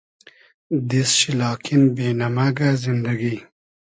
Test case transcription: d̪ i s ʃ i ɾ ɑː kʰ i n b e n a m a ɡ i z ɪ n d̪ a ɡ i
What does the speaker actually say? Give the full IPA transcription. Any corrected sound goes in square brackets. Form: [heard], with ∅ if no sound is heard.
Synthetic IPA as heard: d̪ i s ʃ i [l] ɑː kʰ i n b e n a m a ɡ [a] z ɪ n d̪ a ɡ i